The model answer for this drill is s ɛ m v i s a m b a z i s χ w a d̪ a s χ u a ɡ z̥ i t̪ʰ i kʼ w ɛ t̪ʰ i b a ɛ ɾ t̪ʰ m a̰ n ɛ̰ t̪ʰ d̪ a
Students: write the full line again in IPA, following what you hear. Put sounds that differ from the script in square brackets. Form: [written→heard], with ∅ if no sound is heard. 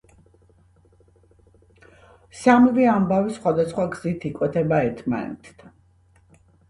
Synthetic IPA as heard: s [ɛ→a] m v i [s→∅] a m b a [z→v] i s χ w a d̪ a s χ [u→w] a ɡ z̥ i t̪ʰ i kʼ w ɛ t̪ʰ [i→ɛ] b a ɛ ɾ t̪ʰ m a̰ n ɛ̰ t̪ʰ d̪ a